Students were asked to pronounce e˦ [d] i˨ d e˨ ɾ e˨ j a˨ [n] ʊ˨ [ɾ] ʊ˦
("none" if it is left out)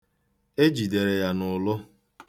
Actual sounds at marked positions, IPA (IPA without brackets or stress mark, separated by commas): d͡ʒ, n, l